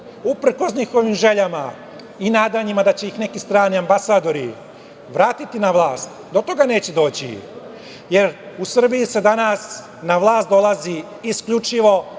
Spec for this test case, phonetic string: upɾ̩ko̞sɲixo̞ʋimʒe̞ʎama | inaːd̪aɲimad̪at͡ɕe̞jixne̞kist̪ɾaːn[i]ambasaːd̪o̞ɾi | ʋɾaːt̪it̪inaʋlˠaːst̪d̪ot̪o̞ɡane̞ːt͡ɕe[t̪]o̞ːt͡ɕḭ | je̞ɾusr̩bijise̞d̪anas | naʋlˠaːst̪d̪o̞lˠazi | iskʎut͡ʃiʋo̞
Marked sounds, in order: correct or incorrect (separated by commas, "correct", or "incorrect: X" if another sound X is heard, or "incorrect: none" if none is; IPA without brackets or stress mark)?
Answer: correct, incorrect: d̪